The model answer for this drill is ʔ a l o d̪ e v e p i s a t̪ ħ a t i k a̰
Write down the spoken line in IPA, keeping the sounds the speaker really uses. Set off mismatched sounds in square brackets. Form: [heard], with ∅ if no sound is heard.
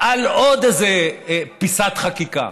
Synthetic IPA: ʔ a l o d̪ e [z] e p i s a t̪ [χ] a [k] i k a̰